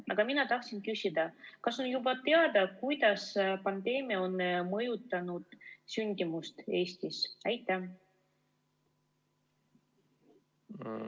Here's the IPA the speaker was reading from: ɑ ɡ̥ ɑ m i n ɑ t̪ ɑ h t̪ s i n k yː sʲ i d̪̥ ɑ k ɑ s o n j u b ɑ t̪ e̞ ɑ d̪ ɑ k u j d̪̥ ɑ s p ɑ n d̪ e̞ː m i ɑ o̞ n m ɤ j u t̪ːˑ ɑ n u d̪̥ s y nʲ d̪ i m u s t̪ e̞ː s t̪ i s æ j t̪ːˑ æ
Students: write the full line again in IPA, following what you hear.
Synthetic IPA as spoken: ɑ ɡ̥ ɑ m i n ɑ t̪ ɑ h t̪ s i n k y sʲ i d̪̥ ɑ k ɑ s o n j u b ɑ t̪ e̞ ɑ d̪ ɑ k u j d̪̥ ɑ s p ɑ n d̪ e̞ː m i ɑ o̞ n m ɤ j u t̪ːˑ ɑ n u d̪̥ s y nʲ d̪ i m u s t̪ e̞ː s t̪ i s æ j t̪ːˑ æ